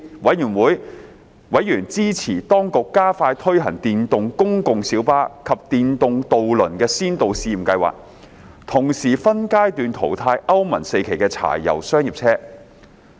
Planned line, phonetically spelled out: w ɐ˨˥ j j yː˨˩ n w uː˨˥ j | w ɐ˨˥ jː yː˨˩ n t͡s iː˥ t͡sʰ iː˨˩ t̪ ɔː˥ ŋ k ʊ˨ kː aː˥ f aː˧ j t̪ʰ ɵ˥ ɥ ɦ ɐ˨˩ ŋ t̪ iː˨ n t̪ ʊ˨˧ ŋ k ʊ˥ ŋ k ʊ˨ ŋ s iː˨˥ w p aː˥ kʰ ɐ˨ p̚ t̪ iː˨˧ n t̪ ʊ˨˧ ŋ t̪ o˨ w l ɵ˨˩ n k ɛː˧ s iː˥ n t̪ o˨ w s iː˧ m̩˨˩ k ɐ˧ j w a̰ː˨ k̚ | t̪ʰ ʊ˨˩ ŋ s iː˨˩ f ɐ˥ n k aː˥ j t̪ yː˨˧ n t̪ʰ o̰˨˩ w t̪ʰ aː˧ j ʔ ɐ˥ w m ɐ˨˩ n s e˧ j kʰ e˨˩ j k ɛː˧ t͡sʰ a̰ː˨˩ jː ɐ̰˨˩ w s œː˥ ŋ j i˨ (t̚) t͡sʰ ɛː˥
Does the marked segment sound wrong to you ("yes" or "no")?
yes